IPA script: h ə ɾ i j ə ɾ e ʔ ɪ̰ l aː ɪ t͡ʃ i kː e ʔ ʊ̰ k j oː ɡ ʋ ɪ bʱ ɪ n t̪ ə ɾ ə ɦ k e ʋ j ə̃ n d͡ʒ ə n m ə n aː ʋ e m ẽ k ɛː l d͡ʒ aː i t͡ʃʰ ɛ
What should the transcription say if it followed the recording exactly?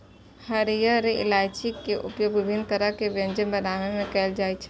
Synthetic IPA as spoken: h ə ɾ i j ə ɾ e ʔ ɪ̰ l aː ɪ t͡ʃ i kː e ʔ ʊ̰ p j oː ɡ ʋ ɪ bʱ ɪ n t̪ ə ɾ ə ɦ k e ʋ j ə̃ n d͡ʒ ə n b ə n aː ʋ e m ẽ k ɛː l d͡ʒ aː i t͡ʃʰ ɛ